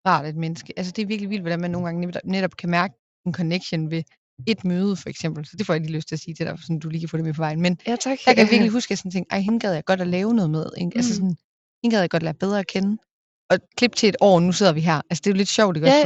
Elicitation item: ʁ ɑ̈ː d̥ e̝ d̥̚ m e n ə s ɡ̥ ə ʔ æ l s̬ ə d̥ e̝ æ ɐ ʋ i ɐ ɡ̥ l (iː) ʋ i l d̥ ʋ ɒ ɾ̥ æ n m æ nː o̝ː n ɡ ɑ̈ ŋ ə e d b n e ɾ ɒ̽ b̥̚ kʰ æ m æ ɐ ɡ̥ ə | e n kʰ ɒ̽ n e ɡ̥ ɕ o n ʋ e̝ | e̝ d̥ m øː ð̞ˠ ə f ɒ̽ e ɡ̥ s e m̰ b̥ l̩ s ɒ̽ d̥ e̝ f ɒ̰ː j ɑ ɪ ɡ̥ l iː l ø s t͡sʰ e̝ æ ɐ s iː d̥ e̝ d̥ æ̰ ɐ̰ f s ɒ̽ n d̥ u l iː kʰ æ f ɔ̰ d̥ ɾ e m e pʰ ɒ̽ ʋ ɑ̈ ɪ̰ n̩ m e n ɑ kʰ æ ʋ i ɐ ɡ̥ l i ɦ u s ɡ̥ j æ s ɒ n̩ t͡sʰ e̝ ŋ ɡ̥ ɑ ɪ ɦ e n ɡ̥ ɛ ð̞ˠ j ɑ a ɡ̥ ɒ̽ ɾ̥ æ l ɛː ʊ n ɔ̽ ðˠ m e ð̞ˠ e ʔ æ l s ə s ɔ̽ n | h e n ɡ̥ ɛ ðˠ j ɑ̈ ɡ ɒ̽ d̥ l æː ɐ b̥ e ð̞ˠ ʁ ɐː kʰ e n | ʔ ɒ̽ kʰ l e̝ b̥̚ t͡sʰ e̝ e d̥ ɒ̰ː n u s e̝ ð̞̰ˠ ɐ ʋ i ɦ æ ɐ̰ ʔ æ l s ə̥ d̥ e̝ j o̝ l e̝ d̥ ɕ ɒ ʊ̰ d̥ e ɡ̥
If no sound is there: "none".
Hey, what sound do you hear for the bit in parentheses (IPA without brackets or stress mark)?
i